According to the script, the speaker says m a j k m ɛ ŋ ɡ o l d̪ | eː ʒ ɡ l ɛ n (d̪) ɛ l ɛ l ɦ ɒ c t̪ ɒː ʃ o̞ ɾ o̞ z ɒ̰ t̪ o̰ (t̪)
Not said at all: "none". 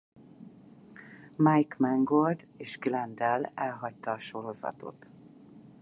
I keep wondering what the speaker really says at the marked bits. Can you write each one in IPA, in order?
d̪, t̪

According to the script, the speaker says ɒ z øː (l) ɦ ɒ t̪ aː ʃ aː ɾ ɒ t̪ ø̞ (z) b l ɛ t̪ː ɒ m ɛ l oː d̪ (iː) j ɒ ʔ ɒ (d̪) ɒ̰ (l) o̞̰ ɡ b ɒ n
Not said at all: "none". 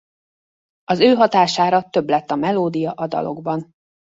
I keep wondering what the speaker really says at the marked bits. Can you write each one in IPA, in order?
none, none, i, d̪, l

